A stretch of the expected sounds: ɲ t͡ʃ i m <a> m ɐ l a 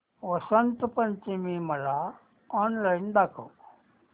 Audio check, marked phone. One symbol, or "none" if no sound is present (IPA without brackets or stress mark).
i